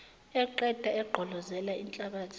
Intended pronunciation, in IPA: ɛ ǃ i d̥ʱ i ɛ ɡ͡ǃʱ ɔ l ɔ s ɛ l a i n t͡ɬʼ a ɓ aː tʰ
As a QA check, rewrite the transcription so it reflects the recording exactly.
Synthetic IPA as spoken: ɛ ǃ ɛ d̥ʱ a ɛ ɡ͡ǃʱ ɔ l ɔ z ɛ l a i n t͡ɬʼ a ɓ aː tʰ